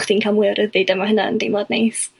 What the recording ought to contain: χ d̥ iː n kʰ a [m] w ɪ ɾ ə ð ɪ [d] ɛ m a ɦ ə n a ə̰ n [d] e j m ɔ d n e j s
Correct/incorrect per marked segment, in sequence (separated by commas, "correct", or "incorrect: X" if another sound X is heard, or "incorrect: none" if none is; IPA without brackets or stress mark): correct, correct, correct